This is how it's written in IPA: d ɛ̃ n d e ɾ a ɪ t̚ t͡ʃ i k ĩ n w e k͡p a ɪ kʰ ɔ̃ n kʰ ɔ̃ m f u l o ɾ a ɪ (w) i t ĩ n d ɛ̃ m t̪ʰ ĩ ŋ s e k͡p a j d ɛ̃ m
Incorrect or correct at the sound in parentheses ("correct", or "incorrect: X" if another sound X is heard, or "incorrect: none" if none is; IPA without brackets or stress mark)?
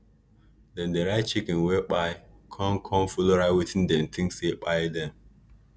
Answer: correct